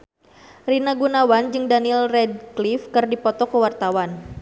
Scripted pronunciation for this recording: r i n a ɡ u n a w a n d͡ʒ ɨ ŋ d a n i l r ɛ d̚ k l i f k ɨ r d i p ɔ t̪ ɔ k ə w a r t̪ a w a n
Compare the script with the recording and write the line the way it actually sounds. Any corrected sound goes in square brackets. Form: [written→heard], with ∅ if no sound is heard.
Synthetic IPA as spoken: r i n a ɡ u n a w a n d͡ʒ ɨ ŋ d a n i l r ɛ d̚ k l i f k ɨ r d i p ɔ t̪ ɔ k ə w a r t̪ a w a n